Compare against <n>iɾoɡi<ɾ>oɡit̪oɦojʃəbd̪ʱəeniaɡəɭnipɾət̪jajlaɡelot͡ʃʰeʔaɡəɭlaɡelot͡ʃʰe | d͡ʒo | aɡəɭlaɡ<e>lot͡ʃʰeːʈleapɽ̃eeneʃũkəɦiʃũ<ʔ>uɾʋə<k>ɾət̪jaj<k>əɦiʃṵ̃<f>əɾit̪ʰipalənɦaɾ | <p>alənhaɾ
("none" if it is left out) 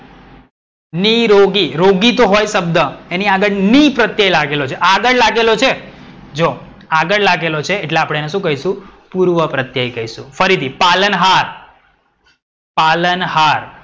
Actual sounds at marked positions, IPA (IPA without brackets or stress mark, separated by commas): n, ɾ, e, p, p, k, f, p